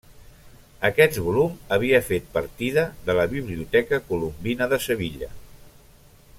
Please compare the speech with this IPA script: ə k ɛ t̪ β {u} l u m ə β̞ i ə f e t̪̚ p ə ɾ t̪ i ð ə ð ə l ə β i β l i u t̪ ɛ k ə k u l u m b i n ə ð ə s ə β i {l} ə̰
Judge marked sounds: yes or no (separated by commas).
yes, no